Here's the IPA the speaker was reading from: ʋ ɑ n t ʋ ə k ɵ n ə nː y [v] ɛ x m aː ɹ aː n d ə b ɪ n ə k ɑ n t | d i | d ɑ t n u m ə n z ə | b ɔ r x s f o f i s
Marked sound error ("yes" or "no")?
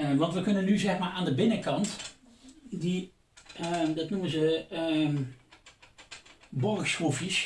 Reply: yes